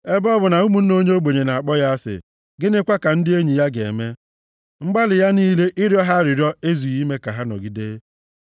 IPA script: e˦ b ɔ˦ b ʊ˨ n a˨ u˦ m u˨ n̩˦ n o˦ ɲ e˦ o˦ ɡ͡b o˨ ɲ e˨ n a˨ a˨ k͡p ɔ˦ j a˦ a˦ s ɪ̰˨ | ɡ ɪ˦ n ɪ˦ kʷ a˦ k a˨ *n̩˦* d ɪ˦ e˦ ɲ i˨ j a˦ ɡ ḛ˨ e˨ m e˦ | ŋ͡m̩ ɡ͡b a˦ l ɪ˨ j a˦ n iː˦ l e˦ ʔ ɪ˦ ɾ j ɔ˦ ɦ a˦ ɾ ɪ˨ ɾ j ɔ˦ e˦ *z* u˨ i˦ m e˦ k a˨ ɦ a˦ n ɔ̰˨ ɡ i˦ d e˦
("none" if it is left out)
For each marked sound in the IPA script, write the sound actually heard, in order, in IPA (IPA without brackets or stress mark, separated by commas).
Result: n̩˦, z